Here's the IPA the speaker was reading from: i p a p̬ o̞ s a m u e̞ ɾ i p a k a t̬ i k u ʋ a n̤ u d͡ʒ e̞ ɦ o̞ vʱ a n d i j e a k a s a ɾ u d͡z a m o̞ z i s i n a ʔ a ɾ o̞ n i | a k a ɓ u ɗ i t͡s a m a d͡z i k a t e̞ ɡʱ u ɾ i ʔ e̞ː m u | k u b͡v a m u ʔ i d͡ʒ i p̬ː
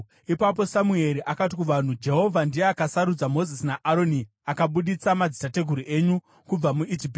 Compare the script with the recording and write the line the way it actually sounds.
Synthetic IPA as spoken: i p a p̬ o̞ s a m u e̞ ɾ i ʔ a k a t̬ i k u ʋ a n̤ u d͡ʒ e̞ ɦ o̞ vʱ a n d i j e a k a s a ɾ u d͡z a m o̞ z i s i n a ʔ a ɾ o̞ n i | a k a ɓ u ɗ i t͡s a m a d͡z i t a t e̞ ɡʱ u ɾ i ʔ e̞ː ɲ u | k u b͡v a m u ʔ i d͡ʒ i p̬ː